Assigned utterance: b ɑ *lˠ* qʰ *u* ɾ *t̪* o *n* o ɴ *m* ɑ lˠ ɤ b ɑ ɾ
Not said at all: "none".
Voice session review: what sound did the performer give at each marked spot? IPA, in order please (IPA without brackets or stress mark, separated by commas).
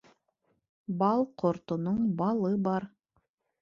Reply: lˠ, o, t̪, n, b